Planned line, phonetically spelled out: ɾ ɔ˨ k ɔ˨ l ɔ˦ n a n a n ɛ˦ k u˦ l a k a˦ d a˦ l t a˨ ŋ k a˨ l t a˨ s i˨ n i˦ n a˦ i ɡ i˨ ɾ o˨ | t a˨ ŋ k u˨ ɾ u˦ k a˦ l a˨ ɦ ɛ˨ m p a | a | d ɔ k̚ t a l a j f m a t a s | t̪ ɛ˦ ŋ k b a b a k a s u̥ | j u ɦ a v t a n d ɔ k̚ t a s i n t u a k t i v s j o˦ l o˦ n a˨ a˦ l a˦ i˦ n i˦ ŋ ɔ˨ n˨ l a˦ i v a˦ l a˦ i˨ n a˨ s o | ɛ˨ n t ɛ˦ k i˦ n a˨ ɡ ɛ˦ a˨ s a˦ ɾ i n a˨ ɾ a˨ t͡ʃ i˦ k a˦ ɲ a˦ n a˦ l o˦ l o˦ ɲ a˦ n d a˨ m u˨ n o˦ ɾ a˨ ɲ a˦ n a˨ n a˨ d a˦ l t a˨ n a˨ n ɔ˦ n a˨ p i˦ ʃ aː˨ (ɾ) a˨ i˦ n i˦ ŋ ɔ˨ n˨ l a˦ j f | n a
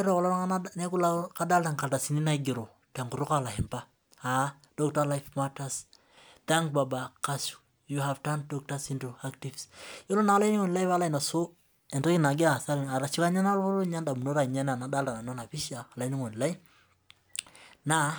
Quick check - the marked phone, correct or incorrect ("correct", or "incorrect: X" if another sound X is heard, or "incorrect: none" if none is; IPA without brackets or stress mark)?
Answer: incorrect: l